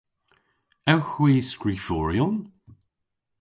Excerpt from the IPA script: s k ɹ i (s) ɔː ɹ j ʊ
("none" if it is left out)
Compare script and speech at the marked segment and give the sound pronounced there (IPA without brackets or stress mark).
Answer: f